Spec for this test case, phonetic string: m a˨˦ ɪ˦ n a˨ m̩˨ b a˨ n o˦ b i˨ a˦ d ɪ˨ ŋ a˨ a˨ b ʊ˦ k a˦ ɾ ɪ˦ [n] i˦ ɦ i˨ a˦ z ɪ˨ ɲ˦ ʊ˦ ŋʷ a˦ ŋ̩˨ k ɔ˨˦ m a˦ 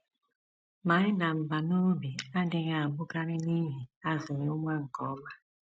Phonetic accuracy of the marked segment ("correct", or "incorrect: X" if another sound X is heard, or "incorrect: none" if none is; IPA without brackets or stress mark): correct